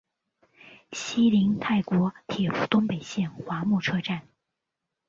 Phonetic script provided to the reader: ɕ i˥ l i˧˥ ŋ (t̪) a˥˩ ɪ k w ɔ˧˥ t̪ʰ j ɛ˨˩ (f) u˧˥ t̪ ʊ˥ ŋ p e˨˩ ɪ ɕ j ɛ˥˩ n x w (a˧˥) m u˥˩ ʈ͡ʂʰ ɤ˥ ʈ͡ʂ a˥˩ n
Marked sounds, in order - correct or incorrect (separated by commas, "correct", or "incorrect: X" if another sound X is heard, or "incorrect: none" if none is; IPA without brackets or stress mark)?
incorrect: t̪ʰ, correct, correct